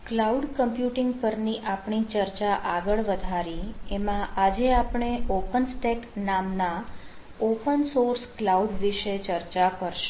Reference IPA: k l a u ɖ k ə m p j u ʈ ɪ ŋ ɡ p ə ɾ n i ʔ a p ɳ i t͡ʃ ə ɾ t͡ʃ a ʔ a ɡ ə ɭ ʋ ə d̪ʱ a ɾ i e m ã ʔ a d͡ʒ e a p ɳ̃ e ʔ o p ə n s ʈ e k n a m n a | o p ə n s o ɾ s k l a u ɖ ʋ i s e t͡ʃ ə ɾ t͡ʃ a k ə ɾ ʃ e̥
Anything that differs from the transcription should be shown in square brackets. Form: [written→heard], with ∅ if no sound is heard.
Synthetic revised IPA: k l a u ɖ k ə m p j u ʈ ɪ ŋ ɡ p ə ɾ n i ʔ a p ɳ i t͡ʃ ə ɾ t͡ʃ a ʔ a ɡ ə ɭ ʋ ə d̪ʱ a ɾ i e m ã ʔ a d͡ʒ e a p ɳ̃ e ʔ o p ə n s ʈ e k n a m n a | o p ə n s o ɾ s k l a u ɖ ʋ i [s→ʃ] e t͡ʃ ə ɾ t͡ʃ a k ə ɾ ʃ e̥